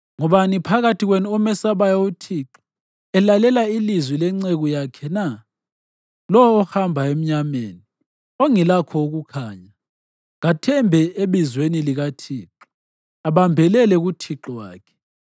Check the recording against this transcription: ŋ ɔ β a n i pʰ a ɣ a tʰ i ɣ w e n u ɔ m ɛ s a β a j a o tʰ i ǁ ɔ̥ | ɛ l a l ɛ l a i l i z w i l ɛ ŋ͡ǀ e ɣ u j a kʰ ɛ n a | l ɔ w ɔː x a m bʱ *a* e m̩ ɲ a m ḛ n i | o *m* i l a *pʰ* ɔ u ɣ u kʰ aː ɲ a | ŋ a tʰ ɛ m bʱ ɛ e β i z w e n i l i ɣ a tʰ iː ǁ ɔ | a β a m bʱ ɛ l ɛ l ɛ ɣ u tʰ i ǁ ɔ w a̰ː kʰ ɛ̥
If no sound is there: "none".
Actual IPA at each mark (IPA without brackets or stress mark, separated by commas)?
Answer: a, ŋ, kʰ